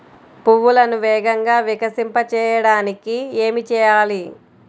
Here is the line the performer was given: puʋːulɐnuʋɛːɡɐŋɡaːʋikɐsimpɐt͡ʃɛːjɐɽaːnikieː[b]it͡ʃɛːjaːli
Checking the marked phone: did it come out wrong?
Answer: yes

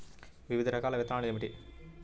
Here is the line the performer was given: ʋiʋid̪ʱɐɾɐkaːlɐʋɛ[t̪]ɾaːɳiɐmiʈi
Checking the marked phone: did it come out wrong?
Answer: no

